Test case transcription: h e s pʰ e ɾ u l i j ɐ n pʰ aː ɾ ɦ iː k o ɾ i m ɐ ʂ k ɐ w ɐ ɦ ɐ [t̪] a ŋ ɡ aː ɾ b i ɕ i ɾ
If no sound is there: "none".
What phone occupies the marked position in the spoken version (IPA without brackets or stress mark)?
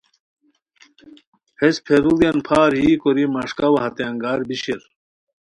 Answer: t̪